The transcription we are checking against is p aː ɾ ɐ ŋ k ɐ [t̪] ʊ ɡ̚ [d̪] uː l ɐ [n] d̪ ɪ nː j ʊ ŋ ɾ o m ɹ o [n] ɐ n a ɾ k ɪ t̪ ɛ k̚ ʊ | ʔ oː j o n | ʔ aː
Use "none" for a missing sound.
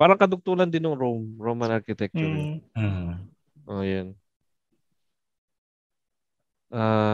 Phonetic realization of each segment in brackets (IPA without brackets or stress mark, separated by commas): d̪, t̪, n, m